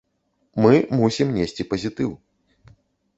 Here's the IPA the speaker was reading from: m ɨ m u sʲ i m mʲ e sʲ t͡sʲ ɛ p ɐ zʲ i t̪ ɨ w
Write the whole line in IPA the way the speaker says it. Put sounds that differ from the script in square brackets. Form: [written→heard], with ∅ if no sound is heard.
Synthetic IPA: m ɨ m u sʲ i m [mʲ→nʲ] e sʲ t͡sʲ [ɛ→i] p ɐ zʲ i t̪ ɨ w

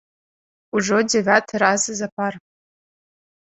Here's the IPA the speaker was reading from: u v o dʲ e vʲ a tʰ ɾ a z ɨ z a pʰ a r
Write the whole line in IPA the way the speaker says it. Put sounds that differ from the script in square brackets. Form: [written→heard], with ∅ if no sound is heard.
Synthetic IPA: u [v→ʐ] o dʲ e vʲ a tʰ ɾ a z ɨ z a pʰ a r

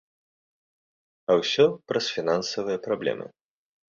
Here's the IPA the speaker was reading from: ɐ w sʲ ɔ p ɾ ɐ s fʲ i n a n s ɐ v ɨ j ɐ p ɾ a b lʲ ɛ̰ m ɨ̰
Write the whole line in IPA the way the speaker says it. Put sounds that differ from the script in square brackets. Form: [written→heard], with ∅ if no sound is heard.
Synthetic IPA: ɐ w sʲ ɔ p ɾ ɐ s fʲ i n a n s ɐ v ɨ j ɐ p ɾ a b lʲ ɛ̰ m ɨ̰

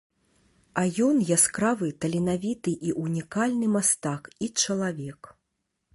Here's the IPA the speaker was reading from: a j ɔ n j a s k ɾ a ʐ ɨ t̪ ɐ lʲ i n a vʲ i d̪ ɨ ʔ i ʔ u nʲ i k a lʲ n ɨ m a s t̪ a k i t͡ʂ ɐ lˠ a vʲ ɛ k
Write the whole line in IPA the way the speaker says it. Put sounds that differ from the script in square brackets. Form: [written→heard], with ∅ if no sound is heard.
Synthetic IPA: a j ɔ n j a s k ɾ a [ʐ→v] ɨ t̪ ɐ lʲ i n a vʲ i [d̪→t̪] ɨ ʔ i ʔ u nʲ i k a lʲ n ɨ m a s t̪ a k i t͡ʂ ɐ lˠ a vʲ ɛ k

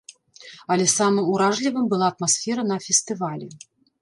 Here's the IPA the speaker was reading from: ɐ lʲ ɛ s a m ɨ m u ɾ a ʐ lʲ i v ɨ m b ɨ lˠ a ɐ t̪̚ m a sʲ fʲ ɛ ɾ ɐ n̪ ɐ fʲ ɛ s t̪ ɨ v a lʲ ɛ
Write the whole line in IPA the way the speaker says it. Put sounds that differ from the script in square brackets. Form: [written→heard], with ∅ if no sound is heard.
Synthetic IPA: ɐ lʲ ɛ s a m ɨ m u ɾ a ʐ lʲ i v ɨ m b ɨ lˠ a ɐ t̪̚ m a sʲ fʲ ɛ ɾ ɐ n̪ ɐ fʲ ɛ s t̪ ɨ v a lʲ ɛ

